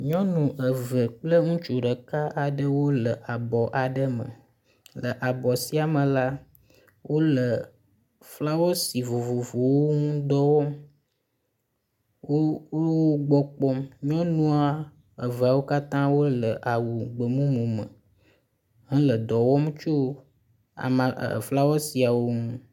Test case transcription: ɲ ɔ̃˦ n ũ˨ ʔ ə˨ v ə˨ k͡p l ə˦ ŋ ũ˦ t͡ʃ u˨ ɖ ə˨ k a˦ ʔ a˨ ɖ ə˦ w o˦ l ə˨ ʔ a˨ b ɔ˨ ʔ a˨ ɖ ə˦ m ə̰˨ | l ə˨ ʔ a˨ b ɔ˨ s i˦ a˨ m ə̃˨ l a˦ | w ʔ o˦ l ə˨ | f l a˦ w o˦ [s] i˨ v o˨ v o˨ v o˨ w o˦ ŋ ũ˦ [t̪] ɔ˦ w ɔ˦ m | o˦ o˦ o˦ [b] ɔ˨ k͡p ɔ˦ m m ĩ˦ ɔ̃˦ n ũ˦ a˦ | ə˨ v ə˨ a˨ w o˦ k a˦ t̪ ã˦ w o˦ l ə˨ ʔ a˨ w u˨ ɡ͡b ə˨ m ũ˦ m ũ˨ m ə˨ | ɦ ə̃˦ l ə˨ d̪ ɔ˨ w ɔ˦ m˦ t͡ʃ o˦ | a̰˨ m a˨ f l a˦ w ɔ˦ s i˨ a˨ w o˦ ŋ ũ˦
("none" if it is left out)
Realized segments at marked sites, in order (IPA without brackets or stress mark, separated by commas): s, d̪, ɡ͡b